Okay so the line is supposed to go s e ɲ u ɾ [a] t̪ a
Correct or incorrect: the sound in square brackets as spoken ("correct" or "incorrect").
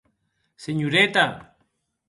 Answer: incorrect